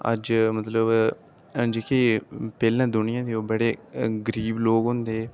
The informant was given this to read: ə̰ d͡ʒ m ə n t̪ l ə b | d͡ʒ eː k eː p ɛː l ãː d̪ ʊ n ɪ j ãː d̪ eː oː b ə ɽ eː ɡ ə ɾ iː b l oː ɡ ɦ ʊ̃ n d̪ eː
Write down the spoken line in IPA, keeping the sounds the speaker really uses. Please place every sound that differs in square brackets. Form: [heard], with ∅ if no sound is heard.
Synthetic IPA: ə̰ d͡ʒ m ə [∅] t̪ l ə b | d͡ʒ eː k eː p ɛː l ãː d̪ ʊ n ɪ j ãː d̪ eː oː b ə ɽ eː ɡ ə ɾ iː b l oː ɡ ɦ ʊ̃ n d̪ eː